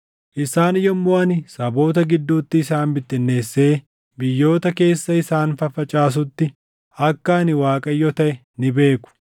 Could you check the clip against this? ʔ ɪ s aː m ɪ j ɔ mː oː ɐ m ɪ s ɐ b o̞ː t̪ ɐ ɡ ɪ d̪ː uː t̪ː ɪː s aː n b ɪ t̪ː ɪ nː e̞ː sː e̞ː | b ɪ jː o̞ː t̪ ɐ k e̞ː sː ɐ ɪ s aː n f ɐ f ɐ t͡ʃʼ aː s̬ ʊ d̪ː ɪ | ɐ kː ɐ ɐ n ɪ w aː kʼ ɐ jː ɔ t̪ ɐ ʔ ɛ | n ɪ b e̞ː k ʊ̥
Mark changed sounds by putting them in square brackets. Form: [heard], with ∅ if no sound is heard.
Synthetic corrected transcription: ʔ ɪ s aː [n] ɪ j ɔ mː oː ɐ [n] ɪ s ɐ b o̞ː t̪ ɐ ɡ ɪ d̪ː uː t̪ː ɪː s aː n b ɪ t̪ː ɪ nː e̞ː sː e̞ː | b ɪ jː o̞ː t̪ ɐ k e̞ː sː ɐ ɪ s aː n f ɐ f ɐ t͡ʃʼ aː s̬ ʊ [t̪ː] ɪ | ɐ kː ɐ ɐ n ɪ w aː kʼ ɐ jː ɔ t̪ ɐ ʔ ɛ | n ɪ b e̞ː k ʊ̥